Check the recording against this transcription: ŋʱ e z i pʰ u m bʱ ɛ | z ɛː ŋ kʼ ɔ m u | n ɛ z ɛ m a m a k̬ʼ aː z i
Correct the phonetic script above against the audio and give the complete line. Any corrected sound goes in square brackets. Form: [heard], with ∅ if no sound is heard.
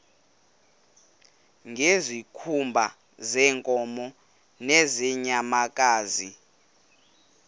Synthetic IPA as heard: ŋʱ e z i [kʰ] u m bʱ [a] | z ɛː ŋ kʼ ɔ m [ɔ] | n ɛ z ɛ [ɲ] a m a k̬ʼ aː z i